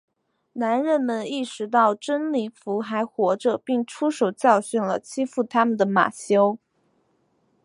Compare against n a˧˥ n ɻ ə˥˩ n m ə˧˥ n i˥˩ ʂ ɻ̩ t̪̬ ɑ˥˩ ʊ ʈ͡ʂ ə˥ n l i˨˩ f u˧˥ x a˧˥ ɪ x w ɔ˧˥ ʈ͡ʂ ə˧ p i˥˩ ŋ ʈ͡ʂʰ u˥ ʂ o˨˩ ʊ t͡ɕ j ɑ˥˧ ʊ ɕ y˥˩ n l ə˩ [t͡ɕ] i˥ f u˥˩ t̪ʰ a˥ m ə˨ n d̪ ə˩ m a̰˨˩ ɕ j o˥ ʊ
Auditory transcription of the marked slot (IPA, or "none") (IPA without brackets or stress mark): t͡ɕʰ